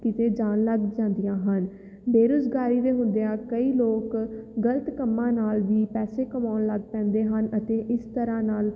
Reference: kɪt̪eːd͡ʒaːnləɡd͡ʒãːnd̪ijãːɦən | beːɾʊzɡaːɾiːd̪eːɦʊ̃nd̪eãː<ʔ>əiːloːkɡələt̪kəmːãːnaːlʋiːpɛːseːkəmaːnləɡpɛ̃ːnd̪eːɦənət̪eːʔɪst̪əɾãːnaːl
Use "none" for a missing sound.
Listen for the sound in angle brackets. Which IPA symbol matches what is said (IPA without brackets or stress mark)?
k